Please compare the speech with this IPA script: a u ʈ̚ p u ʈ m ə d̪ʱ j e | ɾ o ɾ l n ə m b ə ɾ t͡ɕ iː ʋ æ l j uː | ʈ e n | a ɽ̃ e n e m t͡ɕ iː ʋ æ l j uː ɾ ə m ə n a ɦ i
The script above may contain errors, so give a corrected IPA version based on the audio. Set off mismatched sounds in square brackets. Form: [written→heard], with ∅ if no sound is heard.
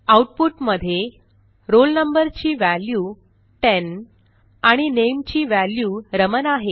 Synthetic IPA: a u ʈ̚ p u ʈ m ə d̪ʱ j e | ɾ o [ɾ→∅] l n ə m b ə ɾ t͡ɕ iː ʋ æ l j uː | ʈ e n | a ɽ̃ [e→i] n e m t͡ɕ iː ʋ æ l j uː ɾ ə m ə n a ɦ [i→e]